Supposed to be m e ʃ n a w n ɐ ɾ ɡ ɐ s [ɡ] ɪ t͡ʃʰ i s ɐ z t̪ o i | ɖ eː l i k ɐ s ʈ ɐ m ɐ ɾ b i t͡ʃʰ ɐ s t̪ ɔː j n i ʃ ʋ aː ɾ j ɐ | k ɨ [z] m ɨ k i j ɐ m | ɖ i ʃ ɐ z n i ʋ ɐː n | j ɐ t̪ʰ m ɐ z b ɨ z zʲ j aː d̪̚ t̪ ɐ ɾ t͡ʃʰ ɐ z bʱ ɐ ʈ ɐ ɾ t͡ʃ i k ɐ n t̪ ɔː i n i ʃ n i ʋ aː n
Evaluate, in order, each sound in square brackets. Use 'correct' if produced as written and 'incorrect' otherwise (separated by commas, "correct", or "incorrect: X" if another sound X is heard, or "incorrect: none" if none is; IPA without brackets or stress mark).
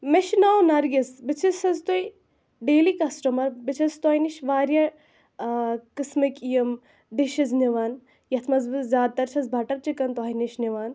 incorrect: b, incorrect: s